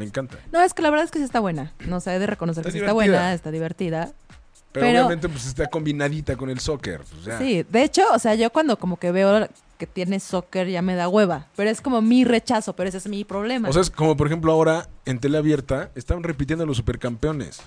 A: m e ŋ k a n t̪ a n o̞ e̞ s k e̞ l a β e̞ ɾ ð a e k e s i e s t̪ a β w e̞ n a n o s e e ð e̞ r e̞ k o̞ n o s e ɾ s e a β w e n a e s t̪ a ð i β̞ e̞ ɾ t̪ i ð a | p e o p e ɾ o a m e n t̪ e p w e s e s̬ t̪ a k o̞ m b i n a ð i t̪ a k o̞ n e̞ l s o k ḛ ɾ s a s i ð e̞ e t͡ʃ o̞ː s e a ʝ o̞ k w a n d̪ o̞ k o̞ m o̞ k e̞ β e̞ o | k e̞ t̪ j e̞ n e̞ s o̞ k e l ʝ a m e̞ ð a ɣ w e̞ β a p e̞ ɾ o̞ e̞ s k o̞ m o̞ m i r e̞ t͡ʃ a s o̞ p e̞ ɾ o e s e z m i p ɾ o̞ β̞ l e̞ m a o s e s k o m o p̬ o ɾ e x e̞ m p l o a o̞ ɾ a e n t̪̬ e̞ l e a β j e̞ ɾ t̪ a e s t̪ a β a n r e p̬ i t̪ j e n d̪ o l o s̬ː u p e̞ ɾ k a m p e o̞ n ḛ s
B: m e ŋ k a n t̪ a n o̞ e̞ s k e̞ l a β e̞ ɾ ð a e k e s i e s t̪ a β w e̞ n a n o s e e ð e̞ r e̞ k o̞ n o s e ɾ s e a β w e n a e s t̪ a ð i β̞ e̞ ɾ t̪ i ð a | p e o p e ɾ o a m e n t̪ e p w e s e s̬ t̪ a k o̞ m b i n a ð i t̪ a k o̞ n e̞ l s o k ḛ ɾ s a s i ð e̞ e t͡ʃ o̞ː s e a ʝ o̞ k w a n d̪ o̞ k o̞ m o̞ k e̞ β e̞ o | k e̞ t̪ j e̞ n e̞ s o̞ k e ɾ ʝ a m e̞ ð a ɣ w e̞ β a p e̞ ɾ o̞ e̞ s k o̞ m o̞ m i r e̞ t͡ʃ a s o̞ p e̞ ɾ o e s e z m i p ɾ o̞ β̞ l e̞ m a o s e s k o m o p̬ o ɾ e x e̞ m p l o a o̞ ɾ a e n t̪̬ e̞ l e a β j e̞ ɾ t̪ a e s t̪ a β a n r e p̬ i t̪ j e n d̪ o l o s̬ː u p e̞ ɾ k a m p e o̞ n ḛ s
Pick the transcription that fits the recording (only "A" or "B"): B